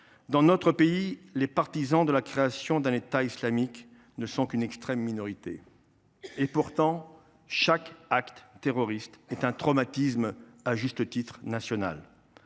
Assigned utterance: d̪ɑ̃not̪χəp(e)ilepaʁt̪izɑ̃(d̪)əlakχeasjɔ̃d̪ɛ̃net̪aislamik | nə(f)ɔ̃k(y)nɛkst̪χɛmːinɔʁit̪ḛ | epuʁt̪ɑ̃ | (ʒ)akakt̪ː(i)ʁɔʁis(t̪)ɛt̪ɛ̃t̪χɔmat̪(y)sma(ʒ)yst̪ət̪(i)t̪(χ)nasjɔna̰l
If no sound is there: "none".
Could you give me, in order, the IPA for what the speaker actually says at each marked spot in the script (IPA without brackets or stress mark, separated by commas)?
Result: e, d̪, s, y, ʃ, e, t̪, i, ʒ, i, χ